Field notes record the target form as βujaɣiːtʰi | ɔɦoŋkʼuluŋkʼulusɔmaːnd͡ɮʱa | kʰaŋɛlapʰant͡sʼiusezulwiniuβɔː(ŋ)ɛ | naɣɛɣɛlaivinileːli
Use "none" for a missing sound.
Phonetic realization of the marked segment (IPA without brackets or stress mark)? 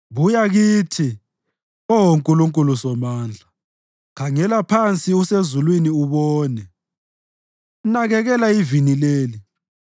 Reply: n